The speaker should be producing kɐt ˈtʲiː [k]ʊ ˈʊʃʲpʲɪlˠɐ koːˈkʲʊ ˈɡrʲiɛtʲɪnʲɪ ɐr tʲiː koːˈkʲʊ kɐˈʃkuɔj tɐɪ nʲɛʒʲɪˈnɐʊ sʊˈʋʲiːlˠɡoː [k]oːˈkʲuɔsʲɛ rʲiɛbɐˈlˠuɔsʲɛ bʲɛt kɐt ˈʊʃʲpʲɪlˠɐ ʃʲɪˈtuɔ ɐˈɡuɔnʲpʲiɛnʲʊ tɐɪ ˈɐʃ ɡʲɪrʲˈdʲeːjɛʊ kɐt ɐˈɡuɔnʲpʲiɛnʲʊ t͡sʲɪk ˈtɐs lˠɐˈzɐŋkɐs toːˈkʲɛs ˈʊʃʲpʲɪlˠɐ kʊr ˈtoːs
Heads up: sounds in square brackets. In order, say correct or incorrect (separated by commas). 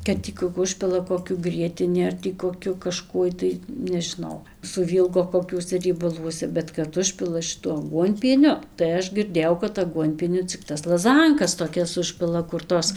correct, correct